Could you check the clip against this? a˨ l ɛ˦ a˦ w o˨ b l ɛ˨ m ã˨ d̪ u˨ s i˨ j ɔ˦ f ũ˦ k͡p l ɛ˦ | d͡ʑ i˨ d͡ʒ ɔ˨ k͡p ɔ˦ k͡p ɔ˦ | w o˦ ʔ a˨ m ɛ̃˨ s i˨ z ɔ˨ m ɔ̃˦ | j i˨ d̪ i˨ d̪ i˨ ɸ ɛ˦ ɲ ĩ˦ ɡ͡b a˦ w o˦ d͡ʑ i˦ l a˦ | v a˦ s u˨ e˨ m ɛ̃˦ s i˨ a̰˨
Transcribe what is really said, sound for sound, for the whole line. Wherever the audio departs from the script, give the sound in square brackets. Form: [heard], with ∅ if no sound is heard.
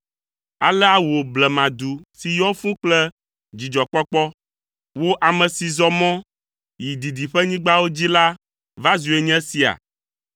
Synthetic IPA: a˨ l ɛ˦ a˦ w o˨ b l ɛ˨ m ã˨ d̪ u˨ s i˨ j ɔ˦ f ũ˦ k͡p l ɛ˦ | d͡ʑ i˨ d͡ʒ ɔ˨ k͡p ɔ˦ k͡p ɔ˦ | w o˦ ʔ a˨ m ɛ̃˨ s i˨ z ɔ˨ m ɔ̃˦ | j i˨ d̪ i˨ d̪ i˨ ɸ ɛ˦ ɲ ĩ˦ ɡ͡b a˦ w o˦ d͡ʑ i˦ l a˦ | v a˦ [z] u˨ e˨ [ɲ] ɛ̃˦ s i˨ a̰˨